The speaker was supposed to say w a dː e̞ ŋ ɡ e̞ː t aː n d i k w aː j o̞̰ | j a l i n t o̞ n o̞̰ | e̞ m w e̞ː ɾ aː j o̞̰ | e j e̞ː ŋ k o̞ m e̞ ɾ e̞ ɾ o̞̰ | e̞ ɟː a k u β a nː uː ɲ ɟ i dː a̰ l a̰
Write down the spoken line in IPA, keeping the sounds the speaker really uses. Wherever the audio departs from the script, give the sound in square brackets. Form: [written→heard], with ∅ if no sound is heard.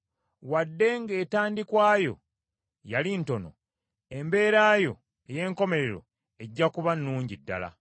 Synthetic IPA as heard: w a dː e̞ ŋ ɡ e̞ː t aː n d i k w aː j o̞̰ | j a l i n t o̞ n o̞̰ | e̞ m [w→b] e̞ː ɾ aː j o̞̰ | e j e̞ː ŋ k o̞ m e̞ ɾ e̞ ɾ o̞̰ | e̞ ɟː a k u β a nː uː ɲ ɟ i dː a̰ l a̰

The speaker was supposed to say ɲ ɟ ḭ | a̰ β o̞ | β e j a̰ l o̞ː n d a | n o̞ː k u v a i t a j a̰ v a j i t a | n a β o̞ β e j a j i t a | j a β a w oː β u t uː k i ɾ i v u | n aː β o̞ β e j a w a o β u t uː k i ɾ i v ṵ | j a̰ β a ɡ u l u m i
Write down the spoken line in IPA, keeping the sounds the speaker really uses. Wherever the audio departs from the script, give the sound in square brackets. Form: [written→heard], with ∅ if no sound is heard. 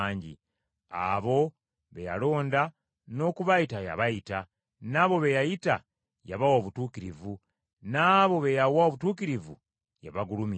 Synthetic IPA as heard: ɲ ɟ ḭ | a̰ β o̞ | β e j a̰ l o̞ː n d a | n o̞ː k u [v→β] a i t a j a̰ [v→β] a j i t a | n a β o̞ β e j a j i t a | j a β a w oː β u t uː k i ɾ i v u | n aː β o̞ β e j a w a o β u t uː k i ɾ i v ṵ | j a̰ β a ɡ u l u m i

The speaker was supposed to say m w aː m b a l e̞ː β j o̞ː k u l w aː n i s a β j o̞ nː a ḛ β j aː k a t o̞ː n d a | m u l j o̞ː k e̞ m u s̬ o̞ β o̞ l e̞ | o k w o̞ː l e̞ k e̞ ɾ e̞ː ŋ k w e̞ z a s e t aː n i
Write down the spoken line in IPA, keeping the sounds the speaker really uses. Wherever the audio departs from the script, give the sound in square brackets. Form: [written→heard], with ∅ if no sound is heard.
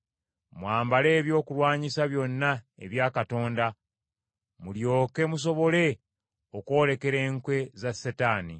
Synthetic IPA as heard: m w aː m b a l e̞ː β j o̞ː k u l w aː [n→ɲ] i s a β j o̞ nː a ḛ β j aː k a t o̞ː n d a | m u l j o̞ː k e̞ m u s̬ o̞ β o̞ l e̞ | o k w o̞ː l e̞ k e̞ ɾ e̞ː ŋ k w e̞ z a s e t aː n i

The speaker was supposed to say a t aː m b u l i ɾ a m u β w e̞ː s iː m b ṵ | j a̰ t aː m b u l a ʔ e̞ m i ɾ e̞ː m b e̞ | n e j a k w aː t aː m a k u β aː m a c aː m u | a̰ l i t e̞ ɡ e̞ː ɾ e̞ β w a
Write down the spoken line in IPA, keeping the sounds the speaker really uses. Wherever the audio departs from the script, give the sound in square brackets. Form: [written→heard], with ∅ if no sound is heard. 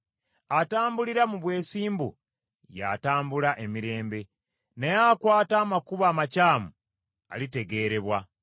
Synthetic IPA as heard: a t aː m b u l i ɾ a m u β w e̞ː s iː m b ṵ | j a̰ t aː m b u l a ʔ e̞ m i ɾ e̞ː m b e̞ | n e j a k w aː t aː m a k u β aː m a c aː m u | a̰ l i t e̞ ɡ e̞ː ɾ e̞ β w a

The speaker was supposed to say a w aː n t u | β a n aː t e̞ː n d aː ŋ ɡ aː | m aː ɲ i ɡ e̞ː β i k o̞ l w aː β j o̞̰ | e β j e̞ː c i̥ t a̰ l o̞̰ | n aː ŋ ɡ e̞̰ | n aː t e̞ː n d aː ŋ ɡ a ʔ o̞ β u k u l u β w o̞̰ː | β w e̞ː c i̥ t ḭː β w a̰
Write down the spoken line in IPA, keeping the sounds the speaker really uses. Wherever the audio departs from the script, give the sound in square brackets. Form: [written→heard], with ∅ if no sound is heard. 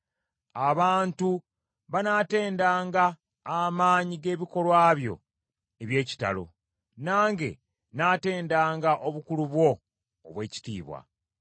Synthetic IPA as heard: a [w→β] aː n t u | β a n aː t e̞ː n d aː ŋ ɡ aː | m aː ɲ i ɡ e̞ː β i k o̞ l w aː β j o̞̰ | e β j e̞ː c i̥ t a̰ l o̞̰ | n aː ŋ ɡ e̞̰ | n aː t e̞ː n d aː ŋ ɡ a ʔ o̞ β u k u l u β w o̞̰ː | β w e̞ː c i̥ t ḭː β w a̰

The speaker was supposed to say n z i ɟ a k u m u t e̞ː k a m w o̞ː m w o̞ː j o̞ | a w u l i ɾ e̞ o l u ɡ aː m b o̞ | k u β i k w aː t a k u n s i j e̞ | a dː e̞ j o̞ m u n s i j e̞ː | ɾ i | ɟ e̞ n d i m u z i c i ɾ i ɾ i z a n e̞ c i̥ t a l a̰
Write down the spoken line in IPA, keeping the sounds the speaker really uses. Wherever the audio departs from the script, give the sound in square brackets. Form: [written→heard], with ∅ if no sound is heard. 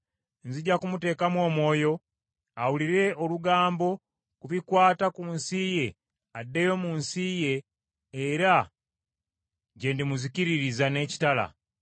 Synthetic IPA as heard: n z i ɟ a k u m u t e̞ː k a m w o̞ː m w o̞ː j o̞ | a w u l i ɾ e̞ o l u ɡ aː m b o̞ | k u β i k w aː t a k u n s i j e̞ | a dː e̞ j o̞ m u n s i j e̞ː | ɾ [i→a] | ɟ e̞ n d i m u z i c i ɾ i ɾ i z a n e̞ c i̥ t a l a̰

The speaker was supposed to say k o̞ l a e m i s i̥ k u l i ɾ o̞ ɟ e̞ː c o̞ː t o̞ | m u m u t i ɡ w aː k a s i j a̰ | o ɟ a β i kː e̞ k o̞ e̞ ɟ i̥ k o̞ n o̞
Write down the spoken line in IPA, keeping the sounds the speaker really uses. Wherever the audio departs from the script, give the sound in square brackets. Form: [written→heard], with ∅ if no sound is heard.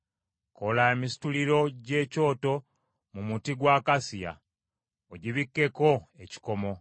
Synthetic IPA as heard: k o̞ l a e m i s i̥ [k→t] u l i ɾ o̞ ɟ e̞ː c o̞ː t o̞ | m u m u t i ɡ w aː k a s i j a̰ | o ɟ [a→i] β i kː e̞ k o̞ e̞ [ɟ→c] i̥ k o̞ [n→m] o̞

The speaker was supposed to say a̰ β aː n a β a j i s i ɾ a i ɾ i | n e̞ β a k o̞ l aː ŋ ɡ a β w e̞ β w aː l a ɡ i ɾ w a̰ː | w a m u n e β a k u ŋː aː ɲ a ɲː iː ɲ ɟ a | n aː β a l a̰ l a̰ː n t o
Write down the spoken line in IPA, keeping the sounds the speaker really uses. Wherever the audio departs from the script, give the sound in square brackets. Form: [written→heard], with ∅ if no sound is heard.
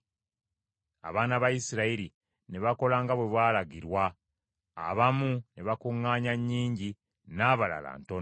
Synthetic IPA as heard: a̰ β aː n a β a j i s i ɾ a i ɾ i | n e̞ β a k o̞ l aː ŋ ɡ a β w e̞ β w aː l a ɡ i ɾ w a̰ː | [w→β] a m u n e β a k u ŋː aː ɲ a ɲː iː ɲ ɟ [a→i] | n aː β a l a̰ l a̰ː n t o

